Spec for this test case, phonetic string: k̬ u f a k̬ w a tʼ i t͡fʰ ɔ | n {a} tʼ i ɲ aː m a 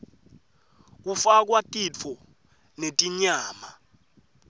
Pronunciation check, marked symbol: incorrect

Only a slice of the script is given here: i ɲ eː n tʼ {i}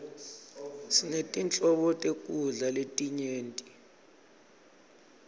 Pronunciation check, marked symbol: correct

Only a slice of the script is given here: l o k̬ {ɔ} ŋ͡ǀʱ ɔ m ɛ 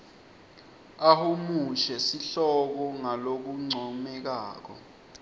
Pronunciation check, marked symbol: incorrect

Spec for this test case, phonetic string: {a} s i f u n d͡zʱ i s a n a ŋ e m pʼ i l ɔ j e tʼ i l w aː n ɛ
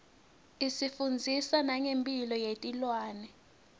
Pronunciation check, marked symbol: incorrect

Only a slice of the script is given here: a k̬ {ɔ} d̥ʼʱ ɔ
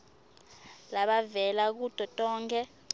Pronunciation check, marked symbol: incorrect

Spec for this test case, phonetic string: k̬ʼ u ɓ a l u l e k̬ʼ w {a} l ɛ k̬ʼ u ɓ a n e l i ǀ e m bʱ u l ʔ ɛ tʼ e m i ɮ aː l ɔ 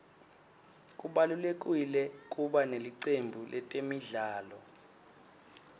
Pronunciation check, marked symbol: incorrect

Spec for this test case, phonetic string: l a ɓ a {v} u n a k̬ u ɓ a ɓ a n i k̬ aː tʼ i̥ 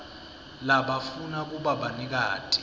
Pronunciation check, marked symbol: incorrect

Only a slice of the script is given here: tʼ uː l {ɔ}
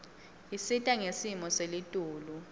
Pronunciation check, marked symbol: incorrect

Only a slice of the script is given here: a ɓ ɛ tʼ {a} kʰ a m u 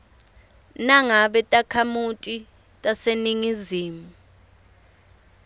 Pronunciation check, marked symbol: correct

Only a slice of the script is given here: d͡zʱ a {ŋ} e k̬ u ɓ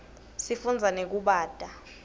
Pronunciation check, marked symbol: incorrect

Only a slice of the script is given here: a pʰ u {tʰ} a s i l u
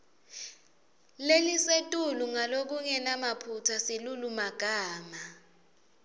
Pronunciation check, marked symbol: correct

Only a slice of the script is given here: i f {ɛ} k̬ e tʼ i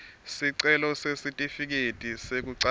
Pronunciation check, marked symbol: incorrect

